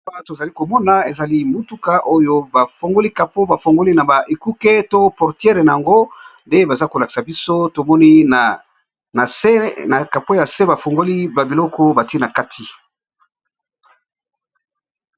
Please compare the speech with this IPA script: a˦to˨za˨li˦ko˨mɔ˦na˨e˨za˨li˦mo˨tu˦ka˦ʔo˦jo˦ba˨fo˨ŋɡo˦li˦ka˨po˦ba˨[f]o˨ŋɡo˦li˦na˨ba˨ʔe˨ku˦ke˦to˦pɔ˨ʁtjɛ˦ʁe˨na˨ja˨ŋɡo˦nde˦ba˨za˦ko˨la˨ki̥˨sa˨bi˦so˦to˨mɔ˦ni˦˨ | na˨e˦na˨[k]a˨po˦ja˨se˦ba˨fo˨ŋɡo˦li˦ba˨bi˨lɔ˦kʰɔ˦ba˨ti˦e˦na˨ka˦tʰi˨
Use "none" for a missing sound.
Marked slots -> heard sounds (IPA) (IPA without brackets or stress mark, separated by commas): f, k